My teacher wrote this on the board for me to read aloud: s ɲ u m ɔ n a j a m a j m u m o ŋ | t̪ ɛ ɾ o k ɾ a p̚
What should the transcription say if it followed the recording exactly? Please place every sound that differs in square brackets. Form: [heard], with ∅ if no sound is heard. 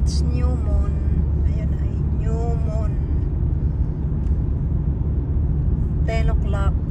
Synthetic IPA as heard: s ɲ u m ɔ n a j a [n] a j [ɲ] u m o [n] | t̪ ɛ [l] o k [l] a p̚